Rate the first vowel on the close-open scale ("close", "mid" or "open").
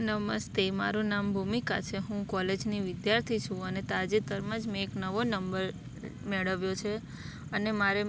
mid